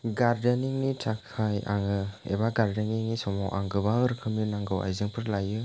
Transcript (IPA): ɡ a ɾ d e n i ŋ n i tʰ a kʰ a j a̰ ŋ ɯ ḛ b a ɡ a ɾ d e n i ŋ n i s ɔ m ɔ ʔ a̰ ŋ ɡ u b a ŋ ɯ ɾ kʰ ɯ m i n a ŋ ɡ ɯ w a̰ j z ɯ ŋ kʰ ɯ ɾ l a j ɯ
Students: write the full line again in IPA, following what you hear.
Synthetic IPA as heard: ɡ a ɾ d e n i ŋ n i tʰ a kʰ a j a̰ ŋ ɯ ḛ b a ɡ a ɾ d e n i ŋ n i s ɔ m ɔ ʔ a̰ ŋ ɡ ɯ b a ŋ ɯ ɾ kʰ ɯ m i n a ŋ ɡ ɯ w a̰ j z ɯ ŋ pʰ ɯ ɾ l a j ɯ